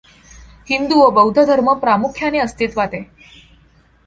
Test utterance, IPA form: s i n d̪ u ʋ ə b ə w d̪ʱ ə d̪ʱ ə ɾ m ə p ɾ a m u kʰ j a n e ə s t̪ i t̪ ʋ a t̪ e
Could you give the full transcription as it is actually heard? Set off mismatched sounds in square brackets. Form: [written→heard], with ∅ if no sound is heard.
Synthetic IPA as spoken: [s→h] i n d̪ u ʋ ə b ə w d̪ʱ ə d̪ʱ ə ɾ m ə p ɾ a m u kʰ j a n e ə s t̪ i t̪ ʋ a t̪ e